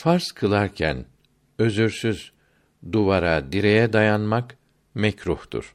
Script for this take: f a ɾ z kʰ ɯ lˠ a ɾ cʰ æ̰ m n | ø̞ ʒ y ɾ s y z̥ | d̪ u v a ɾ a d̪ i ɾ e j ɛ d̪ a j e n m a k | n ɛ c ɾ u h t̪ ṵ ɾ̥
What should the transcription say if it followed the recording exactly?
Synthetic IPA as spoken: f a ɾ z kʰ ɯ lˠ a ɾ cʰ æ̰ n | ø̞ z y ɾ s y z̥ | d̪ u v a ɾ a d̪ i ɾ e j ɛ d̪ a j a n m a k | m ɛ c ɾ u h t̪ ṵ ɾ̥